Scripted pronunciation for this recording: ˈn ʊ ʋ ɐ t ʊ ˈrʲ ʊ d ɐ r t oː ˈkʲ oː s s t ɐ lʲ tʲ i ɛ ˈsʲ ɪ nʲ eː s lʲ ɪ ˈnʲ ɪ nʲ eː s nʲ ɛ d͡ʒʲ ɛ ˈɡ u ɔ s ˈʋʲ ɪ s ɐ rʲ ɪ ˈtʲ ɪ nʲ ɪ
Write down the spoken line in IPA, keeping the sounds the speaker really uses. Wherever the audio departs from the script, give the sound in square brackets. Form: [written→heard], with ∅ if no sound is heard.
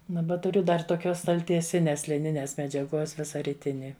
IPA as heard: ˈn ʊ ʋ ɐ t ʊ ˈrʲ ʊ d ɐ r t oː ˈkʲ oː s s t ɐ lʲ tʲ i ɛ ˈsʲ ɪ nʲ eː s lʲ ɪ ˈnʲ ɪ nʲ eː s [nʲ→mʲ] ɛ d͡ʒʲ ɛ ˈɡ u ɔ s ˈʋʲ ɪ s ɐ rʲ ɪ ˈtʲ ɪ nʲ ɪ